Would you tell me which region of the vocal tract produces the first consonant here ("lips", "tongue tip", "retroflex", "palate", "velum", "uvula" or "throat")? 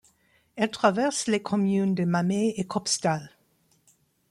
tongue tip